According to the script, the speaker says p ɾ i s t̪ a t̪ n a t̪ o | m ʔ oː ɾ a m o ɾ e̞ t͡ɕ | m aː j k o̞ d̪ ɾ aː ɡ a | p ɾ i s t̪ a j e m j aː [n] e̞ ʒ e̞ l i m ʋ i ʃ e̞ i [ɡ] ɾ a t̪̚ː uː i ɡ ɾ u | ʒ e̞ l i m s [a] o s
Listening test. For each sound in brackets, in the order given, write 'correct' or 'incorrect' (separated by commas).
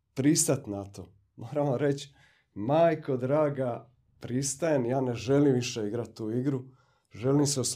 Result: correct, correct, incorrect